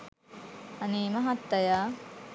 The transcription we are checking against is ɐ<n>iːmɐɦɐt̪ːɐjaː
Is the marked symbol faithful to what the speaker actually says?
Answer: yes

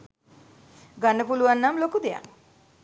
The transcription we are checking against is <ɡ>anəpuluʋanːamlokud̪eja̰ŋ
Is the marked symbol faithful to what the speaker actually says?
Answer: yes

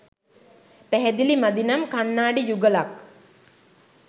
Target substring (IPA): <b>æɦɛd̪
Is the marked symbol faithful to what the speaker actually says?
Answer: no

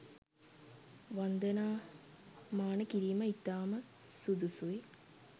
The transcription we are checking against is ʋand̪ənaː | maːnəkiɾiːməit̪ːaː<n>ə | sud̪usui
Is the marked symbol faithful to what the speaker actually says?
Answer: no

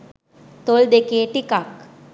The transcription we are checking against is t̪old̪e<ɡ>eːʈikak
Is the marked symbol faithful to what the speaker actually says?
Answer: no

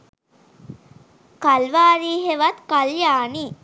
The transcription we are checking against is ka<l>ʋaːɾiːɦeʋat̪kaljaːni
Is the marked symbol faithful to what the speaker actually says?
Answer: yes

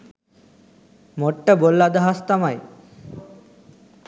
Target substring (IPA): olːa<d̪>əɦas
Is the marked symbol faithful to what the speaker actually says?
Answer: yes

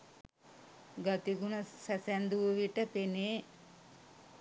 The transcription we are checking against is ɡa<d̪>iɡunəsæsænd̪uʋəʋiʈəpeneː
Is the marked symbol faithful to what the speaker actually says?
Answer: no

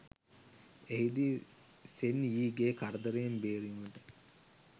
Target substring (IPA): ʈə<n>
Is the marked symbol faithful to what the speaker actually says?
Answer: no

